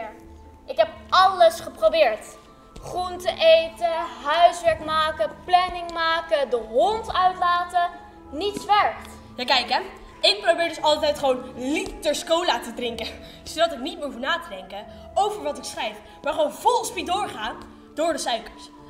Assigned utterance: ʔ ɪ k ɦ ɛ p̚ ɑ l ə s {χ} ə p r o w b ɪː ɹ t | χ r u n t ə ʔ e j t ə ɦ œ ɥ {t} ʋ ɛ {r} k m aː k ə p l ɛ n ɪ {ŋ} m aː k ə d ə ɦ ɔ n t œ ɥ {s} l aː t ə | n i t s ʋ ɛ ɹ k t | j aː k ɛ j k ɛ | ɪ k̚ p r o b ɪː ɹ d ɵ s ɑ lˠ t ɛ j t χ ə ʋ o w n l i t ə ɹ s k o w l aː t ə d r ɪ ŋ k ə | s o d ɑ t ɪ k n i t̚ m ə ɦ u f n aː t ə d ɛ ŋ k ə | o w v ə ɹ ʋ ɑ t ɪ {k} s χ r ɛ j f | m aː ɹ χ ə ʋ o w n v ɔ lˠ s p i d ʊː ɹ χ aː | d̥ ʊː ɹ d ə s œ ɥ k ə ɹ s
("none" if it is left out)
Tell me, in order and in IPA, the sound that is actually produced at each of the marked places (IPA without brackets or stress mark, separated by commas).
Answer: χ, s, ɹ, ŋ, t, k